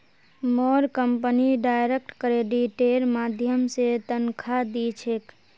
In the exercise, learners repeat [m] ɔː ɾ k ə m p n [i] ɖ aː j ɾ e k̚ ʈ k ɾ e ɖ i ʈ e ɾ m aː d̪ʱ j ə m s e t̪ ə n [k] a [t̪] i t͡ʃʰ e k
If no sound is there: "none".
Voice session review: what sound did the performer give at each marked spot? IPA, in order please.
m, i, kʰ, d̪

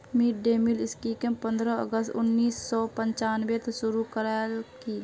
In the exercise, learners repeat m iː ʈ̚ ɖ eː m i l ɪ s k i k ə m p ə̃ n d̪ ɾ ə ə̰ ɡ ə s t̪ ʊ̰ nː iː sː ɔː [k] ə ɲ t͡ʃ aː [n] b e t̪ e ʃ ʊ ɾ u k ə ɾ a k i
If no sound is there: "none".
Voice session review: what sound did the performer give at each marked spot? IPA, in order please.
p, n

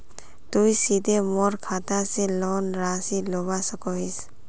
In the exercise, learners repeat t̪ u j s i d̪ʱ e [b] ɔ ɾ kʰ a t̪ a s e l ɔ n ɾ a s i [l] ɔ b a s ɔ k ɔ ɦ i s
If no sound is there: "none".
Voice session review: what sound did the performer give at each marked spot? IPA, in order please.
m, l

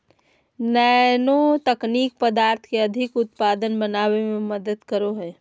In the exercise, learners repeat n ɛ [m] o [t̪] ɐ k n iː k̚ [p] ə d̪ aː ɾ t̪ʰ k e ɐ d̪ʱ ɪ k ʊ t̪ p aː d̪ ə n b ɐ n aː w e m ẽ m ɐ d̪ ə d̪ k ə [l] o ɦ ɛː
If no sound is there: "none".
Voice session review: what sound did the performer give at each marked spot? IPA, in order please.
n, t̪, p, ɾ

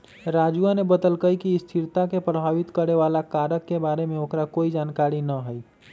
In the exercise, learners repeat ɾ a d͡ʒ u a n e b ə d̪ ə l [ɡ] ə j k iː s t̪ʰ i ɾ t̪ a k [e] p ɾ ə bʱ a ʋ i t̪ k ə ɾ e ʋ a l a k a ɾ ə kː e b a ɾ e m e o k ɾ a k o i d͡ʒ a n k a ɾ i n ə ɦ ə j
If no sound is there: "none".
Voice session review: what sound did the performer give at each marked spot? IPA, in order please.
k, e

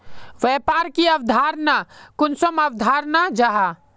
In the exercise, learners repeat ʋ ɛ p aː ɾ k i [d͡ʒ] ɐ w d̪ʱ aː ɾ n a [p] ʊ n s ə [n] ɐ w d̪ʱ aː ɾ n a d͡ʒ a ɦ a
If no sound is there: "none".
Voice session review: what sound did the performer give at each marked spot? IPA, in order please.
none, k, m

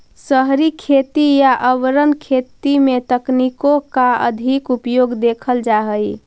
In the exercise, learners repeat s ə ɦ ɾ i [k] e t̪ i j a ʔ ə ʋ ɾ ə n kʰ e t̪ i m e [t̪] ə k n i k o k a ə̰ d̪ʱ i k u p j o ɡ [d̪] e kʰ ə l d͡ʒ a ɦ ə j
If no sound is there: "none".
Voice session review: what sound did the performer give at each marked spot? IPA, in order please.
kʰ, t̪, d̪

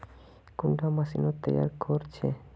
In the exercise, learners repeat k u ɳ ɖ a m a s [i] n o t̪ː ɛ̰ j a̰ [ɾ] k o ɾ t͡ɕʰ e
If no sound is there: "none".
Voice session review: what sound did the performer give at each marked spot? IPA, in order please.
i, ɾ

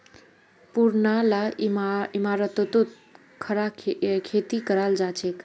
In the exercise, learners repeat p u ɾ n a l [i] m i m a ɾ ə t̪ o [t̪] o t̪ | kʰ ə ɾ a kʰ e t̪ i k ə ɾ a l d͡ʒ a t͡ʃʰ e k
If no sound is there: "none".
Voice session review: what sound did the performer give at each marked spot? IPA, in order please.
a, t̪

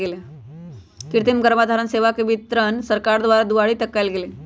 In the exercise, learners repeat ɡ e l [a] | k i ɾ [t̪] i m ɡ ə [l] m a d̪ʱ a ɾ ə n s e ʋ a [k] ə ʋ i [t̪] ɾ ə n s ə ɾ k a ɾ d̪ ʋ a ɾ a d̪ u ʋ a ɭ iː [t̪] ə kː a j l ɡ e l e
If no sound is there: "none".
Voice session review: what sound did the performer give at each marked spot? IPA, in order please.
e, t̪, ɾ, k, t̪, t̪

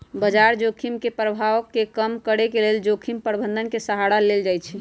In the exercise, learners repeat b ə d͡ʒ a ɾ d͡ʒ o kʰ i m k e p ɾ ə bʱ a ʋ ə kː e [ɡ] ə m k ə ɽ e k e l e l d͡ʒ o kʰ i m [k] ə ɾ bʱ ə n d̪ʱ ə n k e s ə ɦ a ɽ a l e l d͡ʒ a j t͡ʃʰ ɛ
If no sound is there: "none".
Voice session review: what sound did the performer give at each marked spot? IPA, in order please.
k, p

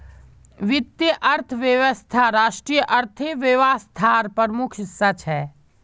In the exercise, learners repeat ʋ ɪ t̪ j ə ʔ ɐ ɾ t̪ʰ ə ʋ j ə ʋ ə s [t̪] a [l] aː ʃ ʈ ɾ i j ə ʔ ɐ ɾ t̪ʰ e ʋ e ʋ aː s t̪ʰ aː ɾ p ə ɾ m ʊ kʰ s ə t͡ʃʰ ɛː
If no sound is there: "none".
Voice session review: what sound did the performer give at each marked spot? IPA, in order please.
t̪ʰ, ɾ

